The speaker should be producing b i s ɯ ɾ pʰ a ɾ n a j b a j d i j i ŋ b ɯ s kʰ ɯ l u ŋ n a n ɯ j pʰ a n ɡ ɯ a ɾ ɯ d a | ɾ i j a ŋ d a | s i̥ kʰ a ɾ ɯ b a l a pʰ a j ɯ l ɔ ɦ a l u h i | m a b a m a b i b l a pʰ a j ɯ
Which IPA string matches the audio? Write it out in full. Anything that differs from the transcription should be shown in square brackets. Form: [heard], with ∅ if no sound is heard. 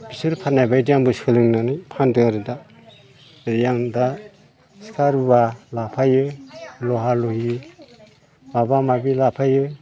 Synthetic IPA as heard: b i s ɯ ɾ pʰ a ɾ n a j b a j d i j [a] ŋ b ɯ s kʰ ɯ l [ɯ] ŋ n a n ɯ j pʰ a n [d] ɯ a ɾ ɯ d a | ɾ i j a ŋ d a | s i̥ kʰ a ɾ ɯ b a l a pʰ a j ɯ l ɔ ɦ a l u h i | m a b a m a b i [∅] l a pʰ a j ɯ